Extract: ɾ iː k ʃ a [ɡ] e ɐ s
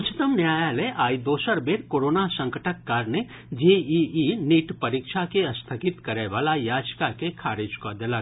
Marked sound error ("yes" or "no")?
yes